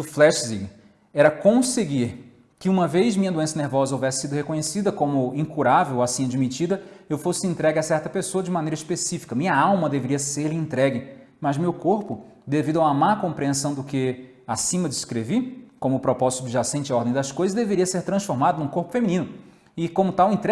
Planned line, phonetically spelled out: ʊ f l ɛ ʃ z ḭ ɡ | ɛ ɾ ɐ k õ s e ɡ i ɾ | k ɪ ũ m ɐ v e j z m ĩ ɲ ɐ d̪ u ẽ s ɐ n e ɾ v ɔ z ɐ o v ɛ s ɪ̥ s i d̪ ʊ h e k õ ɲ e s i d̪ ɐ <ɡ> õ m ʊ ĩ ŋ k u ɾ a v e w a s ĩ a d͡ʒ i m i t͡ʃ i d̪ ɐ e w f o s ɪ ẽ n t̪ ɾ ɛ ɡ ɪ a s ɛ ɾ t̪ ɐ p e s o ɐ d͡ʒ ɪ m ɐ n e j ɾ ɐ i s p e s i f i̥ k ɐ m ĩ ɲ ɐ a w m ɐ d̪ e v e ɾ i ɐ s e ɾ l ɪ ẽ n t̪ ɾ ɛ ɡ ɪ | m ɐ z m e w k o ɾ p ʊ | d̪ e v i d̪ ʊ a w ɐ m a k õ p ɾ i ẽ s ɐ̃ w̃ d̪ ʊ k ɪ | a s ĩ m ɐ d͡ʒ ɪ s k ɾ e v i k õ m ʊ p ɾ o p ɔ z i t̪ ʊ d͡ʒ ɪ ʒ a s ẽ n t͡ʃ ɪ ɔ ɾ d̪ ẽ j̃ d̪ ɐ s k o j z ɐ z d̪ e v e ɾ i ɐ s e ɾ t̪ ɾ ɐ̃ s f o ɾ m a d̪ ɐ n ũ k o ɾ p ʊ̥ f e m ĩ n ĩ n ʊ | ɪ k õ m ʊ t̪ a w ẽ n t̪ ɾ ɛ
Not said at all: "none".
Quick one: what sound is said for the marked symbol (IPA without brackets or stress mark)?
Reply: k